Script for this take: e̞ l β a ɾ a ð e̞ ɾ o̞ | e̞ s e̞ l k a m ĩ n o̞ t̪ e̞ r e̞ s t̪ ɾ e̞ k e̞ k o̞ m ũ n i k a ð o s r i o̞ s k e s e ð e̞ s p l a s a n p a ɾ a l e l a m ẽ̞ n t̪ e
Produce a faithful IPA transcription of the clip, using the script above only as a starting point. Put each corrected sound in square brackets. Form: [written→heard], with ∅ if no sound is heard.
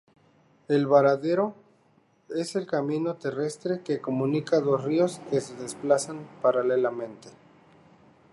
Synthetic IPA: e̞ l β a ɾ a ð e̞ ɾ o̞ | e̞ s e̞ l k a m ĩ n o̞ t̪ e̞ r e̞ s t̪ ɾ e̞ k e̞ k o̞ m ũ n i k a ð o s r i o̞ s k e s e ð e̞ s p l a s a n p a ɾ a l e l a m ẽ̞ n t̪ e